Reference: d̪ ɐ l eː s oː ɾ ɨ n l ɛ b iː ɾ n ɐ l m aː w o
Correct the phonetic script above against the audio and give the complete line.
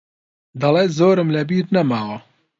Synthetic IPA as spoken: d̪ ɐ l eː z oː ɾ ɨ m l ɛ b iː ɾ n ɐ m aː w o